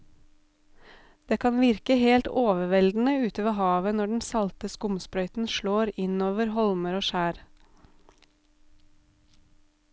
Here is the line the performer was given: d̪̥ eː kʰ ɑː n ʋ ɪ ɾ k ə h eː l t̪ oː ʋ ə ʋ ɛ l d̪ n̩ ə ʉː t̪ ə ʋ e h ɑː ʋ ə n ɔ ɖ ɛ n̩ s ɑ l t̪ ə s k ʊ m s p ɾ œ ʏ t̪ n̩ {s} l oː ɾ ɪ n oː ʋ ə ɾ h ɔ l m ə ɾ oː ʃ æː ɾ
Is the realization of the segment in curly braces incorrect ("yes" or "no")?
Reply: yes